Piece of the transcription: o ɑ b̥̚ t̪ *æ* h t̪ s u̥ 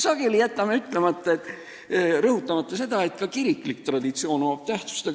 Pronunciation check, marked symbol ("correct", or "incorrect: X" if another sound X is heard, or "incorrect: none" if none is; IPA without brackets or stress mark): correct